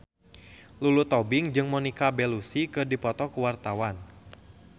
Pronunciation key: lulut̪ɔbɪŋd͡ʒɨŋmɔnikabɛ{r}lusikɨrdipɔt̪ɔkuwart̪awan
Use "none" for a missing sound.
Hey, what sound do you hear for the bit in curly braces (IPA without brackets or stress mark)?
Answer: none